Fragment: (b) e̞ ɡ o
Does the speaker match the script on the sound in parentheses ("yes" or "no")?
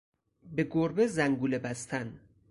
yes